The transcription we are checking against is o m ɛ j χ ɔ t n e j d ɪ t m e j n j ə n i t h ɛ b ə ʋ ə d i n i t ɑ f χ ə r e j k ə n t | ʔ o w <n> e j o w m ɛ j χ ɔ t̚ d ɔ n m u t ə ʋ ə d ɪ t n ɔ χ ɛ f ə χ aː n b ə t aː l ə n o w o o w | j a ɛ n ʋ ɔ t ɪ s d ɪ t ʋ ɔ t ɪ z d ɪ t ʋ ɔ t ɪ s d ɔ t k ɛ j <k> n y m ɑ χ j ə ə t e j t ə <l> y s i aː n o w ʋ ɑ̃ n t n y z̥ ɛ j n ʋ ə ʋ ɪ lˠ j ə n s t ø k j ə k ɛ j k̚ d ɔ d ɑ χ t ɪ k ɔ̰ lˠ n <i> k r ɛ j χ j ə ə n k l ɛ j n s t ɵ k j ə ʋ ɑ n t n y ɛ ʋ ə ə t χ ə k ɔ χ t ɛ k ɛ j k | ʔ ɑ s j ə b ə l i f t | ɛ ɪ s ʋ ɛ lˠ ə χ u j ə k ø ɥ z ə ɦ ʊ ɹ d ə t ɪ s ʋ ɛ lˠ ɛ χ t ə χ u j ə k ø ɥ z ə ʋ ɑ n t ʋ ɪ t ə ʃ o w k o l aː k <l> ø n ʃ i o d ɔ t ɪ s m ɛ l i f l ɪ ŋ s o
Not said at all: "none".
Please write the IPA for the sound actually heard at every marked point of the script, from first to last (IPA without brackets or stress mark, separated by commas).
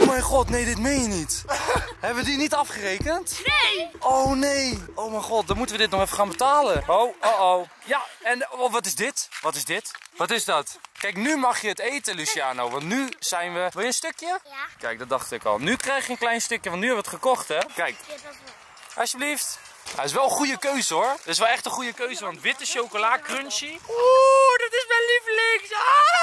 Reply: n, k, l, y, r